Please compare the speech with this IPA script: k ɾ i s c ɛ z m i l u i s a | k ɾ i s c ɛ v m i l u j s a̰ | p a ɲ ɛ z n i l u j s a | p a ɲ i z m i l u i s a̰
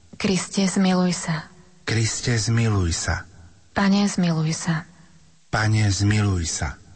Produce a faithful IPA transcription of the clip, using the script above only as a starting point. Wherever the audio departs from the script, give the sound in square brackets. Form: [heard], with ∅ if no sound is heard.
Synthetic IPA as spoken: k ɾ i s c ɛ z m i l u [j] s a | k ɾ i s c ɛ [z] m i l u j s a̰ | p a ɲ ɛ z [m] i l u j s a | p a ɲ [ɛ] z m i l u [j] s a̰